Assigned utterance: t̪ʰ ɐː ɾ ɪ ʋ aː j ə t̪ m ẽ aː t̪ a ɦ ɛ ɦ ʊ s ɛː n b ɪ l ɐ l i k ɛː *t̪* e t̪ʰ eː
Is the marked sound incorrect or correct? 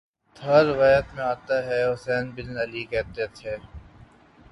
correct